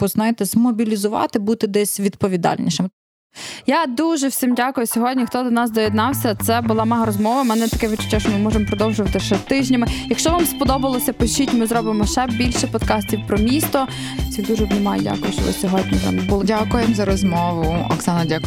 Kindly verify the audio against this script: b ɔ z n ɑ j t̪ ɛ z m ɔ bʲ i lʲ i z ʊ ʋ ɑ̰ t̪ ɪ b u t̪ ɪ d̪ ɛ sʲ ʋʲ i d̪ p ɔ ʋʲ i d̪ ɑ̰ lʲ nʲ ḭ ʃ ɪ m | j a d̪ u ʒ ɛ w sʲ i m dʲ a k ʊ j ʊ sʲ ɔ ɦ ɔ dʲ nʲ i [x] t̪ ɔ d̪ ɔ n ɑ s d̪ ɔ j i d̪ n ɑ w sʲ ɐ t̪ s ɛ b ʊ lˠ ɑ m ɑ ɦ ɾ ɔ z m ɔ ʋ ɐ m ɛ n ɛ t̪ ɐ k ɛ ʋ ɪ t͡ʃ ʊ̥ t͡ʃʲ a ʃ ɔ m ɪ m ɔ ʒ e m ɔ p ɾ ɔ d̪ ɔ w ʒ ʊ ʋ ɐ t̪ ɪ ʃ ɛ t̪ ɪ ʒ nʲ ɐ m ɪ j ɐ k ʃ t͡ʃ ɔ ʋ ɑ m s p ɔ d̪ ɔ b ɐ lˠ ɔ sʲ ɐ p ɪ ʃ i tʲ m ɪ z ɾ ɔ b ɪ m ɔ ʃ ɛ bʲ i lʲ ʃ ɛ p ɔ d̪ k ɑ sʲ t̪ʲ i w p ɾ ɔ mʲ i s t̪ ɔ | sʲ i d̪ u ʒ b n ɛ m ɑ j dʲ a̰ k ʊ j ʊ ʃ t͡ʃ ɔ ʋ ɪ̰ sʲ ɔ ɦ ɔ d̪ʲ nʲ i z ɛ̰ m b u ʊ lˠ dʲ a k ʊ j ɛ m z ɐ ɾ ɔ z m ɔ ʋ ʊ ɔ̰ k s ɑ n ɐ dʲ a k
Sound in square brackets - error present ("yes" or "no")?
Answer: no